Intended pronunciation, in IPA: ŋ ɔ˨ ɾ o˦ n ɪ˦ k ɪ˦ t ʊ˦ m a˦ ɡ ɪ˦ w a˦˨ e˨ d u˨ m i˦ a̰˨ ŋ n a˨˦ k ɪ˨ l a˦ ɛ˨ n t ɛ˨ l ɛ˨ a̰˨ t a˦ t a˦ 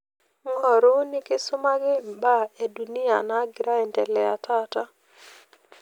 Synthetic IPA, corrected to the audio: ŋ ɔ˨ ɾ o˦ n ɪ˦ k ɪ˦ s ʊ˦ m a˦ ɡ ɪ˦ b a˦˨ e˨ d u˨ n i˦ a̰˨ n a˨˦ ɡ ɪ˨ ɾ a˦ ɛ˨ n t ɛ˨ l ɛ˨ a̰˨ t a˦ t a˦